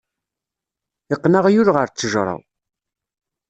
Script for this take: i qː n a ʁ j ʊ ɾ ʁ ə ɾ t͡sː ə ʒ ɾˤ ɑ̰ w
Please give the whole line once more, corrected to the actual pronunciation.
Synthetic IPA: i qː n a ʁ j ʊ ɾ ʁ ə ɾ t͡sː ə ʒ ɾˤ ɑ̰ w